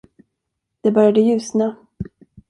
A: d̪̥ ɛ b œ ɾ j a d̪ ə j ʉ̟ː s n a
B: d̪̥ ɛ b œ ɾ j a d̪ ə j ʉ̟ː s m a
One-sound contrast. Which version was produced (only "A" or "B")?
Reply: A